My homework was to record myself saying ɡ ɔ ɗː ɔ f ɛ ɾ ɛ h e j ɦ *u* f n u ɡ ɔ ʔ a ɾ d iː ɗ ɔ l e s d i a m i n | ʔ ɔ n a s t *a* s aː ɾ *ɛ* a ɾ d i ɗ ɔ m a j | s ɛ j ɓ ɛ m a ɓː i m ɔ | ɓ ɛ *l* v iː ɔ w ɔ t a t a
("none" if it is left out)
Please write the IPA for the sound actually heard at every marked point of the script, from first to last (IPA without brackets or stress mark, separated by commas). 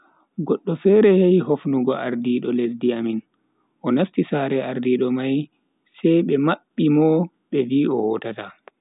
o, i, ɛ, none